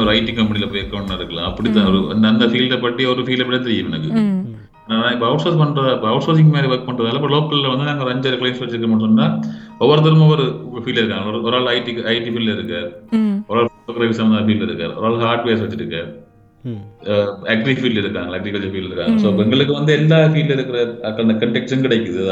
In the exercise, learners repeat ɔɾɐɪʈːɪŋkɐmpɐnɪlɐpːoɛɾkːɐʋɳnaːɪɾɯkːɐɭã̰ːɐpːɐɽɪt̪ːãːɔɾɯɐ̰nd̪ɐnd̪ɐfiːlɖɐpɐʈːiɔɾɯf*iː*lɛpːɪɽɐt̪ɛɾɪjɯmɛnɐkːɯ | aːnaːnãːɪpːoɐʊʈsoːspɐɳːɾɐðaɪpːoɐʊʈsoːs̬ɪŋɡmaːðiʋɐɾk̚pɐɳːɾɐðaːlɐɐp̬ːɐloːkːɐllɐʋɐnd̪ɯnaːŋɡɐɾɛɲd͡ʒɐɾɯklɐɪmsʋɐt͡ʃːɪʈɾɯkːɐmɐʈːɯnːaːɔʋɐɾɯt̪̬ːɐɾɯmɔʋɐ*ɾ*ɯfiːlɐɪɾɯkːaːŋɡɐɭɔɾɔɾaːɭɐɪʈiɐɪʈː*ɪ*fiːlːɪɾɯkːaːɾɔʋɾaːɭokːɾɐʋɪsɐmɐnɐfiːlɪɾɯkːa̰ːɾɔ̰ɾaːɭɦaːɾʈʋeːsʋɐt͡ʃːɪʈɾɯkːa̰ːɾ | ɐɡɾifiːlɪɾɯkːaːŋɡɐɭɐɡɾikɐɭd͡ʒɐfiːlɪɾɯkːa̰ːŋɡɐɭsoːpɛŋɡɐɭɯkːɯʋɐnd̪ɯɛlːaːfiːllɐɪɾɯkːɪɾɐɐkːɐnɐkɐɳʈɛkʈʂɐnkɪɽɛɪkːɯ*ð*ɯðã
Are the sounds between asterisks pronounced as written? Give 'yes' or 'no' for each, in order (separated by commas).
yes, yes, no, yes